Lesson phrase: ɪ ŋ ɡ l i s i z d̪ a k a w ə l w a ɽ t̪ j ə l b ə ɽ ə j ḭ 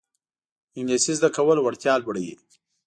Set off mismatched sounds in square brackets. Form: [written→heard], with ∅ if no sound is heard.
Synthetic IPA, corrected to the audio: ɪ ŋ ɡ l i s i z d̪ a k a w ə l w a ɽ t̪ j [ə→ɑ] l b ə ɽ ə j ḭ